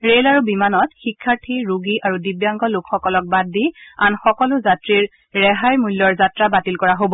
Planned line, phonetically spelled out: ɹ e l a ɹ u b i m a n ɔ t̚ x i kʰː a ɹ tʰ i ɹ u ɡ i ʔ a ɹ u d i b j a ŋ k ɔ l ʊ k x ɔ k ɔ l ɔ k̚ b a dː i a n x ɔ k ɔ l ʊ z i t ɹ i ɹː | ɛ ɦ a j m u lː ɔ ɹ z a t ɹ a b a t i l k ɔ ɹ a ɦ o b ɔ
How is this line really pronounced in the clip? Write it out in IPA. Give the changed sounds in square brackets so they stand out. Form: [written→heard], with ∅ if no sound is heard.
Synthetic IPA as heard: ɹ e l a ɹ u b i m a n ɔ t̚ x i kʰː a ɹ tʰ i ɹ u ɡ i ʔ a ɹ u d i b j a ŋ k ɔ l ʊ k x ɔ k ɔ l ɔ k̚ b a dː i a n x ɔ k ɔ l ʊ z [i→a] t ɹ i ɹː | ɛ ɦ a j m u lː ɔ ɹ z a t ɹ a b a t i l k ɔ ɹ a ɦ o b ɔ